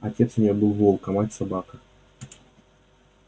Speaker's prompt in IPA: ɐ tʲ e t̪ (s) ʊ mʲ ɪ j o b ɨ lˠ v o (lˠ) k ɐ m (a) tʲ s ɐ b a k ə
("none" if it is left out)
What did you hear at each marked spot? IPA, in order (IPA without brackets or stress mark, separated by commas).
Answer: s, lˠ, a